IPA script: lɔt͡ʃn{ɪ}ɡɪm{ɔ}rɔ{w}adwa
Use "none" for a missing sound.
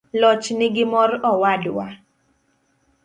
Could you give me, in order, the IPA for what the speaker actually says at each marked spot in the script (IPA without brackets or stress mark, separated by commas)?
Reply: ɪ, ɔ, w